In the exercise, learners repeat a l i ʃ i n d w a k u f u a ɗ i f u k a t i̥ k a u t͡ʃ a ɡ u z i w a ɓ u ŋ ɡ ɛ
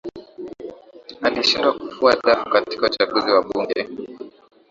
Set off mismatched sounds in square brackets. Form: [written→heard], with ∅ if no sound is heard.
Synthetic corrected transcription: a l i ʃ i n d w a k u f u a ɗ [i→a] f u k a t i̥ k a u t͡ʃ a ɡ u z i w a ɓ u ŋ ɡ ɛ